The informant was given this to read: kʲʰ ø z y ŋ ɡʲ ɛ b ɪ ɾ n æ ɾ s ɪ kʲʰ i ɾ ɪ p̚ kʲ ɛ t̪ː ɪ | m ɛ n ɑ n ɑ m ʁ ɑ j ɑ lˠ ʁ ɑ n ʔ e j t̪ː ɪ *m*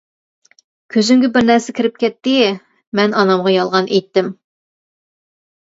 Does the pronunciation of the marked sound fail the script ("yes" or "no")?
no